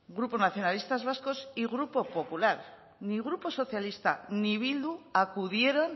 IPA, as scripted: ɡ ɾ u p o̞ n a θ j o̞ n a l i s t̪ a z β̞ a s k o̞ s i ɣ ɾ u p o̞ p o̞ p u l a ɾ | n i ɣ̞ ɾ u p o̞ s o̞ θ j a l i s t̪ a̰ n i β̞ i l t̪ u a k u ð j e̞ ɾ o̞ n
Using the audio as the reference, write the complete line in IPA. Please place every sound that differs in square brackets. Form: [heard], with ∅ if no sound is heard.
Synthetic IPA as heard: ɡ ɾ u p o̞ n a θ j o̞ n a l i s t̪ a z β̞ a s k o̞ s i ɣ ɾ u p o̞ p o̞ p u l a ɾ | n i ɣ̞ ɾ u p o̞ s o̞ θ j a l i s t̪ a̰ n i β̞ i l [d̪] u a k u ð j e̞ ɾ o̞ n